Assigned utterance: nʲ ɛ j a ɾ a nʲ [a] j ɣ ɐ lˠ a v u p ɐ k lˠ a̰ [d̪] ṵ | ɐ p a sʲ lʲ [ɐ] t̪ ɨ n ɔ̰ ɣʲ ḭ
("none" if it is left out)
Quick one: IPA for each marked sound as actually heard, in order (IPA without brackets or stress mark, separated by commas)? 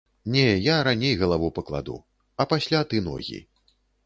e, d̪, a